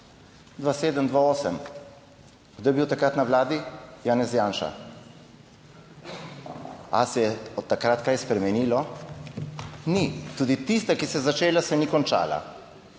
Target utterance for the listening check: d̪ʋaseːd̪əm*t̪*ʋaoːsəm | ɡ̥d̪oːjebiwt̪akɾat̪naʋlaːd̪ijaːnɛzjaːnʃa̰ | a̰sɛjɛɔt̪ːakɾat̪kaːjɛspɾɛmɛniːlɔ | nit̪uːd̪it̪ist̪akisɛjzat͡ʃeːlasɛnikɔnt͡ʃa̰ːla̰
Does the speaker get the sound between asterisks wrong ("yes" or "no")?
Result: yes